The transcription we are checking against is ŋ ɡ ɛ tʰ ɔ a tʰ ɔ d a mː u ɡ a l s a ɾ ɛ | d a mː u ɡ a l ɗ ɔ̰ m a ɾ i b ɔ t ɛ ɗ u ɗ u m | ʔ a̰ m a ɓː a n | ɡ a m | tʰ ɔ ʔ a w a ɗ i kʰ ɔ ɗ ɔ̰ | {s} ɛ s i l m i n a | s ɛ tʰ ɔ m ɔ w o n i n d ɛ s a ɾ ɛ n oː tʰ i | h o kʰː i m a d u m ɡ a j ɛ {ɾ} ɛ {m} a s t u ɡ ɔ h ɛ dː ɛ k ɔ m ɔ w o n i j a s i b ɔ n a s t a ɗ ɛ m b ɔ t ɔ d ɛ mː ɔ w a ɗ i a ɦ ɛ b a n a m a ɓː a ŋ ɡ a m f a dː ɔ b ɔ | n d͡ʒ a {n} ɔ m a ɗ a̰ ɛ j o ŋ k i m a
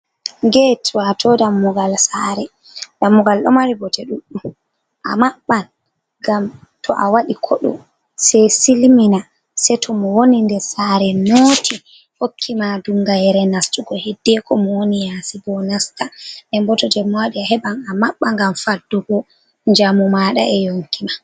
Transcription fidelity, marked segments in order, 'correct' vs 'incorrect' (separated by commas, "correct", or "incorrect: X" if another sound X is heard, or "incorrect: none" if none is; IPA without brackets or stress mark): correct, correct, incorrect: n, incorrect: m